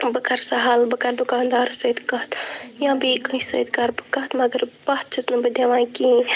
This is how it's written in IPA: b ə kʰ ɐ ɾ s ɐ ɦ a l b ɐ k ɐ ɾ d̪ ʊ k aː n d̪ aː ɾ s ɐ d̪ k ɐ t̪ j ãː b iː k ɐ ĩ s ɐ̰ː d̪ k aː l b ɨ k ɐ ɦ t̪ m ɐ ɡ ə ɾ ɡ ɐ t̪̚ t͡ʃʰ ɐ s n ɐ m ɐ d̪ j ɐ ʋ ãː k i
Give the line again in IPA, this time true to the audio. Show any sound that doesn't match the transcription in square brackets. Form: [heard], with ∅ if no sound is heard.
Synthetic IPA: b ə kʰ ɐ ɾ s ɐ ɦ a l b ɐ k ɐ ɾ d̪ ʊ k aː n d̪ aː ɾ s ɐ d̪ k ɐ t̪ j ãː b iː k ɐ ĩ s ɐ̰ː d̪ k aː [ɾ] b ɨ k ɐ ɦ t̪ m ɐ ɡ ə ɾ [b] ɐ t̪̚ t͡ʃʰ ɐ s n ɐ [b] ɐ d̪ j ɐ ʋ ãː k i

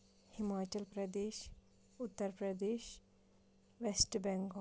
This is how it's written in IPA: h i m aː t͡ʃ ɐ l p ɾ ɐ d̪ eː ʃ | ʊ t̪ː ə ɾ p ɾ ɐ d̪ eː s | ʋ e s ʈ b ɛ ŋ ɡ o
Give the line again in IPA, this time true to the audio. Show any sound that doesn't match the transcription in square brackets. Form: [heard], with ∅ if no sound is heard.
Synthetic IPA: h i m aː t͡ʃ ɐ l p ɾ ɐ d̪ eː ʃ | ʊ t̪ː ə ɾ p ɾ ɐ d̪ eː [ʃ] | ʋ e s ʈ b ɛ ŋ ɡ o

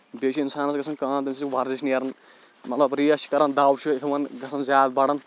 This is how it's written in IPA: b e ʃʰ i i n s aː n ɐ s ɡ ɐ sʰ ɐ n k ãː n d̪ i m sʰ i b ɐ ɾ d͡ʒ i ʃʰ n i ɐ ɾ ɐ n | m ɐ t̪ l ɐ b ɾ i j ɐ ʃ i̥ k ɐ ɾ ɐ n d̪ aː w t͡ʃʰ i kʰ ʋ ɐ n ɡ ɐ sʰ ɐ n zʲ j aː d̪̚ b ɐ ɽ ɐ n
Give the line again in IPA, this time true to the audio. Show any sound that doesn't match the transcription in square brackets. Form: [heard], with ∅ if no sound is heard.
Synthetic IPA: b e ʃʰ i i n s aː n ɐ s ɡ ɐ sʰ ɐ n k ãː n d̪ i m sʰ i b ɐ ɾ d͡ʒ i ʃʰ n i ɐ ɾ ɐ n | m ɐ t̪ l ɐ b ɾ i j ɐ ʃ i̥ k ɐ ɾ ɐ n d̪ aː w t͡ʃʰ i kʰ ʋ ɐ n ɡ ɐ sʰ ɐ n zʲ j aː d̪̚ b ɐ ɽ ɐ n

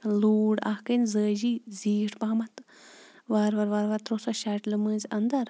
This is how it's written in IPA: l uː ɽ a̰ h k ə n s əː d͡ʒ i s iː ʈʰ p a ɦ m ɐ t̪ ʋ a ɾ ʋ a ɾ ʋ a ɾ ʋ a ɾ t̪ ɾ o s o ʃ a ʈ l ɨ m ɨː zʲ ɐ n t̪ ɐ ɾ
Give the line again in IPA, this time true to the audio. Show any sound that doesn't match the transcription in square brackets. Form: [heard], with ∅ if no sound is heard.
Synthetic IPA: l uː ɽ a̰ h k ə n [z] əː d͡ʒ i [z] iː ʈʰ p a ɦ m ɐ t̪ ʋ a ɾ ʋ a ɾ ʋ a ɾ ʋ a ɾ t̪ ɾ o s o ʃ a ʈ l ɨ m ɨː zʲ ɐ n [d̪] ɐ ɾ

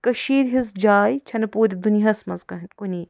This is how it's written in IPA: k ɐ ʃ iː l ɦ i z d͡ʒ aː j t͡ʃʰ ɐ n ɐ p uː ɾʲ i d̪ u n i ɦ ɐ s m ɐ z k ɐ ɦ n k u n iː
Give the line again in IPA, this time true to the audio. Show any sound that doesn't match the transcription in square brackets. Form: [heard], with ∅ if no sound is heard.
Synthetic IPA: k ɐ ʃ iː [ɾ] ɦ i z d͡ʒ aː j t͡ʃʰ ɐ n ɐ p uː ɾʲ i d̪ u n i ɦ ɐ s m ɐ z k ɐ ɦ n k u n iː

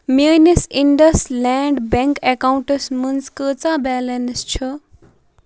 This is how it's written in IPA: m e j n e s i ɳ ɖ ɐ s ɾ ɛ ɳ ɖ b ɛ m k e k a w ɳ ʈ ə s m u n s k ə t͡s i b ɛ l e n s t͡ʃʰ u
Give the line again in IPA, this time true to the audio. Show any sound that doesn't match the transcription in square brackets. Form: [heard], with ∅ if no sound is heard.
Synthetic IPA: m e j n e s i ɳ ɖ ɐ s [l] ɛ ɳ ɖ b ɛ [ŋ] k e k a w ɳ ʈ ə s m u n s k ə t͡s [a] b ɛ l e n s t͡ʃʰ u

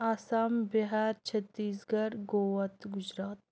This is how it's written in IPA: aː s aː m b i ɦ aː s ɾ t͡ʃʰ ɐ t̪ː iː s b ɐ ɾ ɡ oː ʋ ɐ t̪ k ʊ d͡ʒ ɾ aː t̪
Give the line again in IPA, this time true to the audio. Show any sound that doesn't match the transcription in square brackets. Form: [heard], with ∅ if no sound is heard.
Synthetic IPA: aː s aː m b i ɦ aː [∅] ɾ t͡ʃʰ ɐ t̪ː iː s [ɡ] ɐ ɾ ɡ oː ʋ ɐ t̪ [ɡ] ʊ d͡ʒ ɾ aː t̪

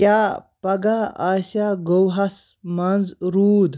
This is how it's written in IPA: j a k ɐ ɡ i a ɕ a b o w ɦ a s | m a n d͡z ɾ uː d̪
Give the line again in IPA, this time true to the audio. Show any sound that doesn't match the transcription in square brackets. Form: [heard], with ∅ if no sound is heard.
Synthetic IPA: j a [p] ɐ ɡ [a] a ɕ a [ɡ] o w ɦ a s | m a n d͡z ɾ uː d̪

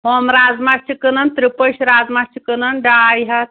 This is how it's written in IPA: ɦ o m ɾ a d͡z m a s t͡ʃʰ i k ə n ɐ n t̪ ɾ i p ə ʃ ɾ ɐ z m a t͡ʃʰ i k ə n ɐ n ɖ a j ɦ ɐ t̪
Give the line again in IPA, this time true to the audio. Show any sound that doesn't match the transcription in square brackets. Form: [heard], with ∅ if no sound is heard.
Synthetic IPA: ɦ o m ɾ a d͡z m a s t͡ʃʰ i k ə n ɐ n t̪ ɾ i p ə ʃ ɾ [a] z m a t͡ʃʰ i k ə n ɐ n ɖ a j ɦ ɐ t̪

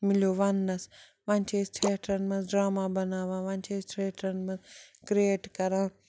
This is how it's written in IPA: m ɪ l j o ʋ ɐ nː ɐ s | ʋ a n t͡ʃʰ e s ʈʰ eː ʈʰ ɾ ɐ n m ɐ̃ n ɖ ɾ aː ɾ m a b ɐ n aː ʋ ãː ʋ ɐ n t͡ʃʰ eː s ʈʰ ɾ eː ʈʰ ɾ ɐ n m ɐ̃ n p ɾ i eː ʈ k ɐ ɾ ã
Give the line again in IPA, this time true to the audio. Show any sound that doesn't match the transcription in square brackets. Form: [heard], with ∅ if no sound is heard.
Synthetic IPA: m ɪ l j o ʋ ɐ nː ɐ s | ʋ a n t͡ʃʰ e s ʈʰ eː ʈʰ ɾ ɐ n m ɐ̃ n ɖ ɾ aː [∅] m a b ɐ n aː ʋ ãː ʋ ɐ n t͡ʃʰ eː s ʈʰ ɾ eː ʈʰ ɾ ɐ n m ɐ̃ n [k] ɾ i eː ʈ k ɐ ɾ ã

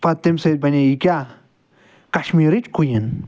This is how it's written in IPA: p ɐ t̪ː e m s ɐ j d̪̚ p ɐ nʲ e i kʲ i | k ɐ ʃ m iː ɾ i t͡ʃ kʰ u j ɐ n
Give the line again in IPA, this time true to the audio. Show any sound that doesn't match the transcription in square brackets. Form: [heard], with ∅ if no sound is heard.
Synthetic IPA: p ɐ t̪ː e m s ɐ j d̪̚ [b] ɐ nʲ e i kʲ [a] | k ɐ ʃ m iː ɾ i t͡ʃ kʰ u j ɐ n

